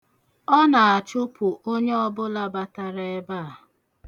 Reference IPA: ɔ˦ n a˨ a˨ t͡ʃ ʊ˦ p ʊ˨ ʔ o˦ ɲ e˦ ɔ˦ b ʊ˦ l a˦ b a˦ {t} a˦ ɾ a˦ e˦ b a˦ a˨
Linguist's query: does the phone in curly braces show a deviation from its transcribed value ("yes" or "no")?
no